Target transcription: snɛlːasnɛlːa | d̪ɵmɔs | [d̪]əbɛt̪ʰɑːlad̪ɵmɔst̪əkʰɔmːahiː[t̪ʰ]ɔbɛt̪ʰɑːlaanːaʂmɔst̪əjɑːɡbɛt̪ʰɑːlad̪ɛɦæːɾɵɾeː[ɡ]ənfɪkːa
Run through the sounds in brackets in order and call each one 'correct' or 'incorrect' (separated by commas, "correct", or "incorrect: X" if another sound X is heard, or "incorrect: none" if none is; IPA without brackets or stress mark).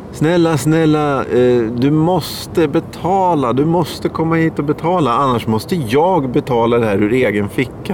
incorrect: t̪, incorrect: t̪, correct